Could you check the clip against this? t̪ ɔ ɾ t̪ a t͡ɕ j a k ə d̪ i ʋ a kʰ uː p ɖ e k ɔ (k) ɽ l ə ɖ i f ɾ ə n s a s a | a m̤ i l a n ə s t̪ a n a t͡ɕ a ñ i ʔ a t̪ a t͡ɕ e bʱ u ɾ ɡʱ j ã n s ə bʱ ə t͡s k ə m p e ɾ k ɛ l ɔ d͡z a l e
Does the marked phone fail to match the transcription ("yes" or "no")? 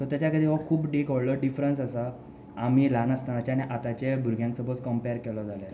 yes